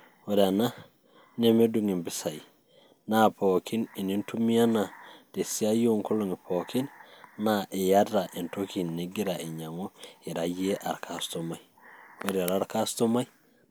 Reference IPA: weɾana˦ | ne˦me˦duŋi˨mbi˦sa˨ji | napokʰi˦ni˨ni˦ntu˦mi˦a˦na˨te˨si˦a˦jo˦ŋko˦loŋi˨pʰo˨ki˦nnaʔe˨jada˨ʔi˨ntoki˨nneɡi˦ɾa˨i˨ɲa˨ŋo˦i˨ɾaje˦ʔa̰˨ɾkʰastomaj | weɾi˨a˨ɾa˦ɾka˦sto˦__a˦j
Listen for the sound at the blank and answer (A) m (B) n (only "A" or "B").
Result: A